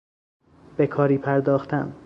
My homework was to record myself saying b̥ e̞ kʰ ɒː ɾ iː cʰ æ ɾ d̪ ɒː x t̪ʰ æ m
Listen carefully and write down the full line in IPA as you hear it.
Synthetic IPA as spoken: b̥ e̞ kʰ ɒː ɾ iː pʰ æ ɾ d̪ ɒː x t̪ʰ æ m